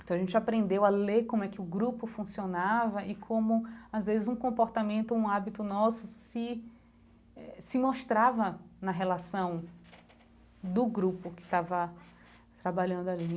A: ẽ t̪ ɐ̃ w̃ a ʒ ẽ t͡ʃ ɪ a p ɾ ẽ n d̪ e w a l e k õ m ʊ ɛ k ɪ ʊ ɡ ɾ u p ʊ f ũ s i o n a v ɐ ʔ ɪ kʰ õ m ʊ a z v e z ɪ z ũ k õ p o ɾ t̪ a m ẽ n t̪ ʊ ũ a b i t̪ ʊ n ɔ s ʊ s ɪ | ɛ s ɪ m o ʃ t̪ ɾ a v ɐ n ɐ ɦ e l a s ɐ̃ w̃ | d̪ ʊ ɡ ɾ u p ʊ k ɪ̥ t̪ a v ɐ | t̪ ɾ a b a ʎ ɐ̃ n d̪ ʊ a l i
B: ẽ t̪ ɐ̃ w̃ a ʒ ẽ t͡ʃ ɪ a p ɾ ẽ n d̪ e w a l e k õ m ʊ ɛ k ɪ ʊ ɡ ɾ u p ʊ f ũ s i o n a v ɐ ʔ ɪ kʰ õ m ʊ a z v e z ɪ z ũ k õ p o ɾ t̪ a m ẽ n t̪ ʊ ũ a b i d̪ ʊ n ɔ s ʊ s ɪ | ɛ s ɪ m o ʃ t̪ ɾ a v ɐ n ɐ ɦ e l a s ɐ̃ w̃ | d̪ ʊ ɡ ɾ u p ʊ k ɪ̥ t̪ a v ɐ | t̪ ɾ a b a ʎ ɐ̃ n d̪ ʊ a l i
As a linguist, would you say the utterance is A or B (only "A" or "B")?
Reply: A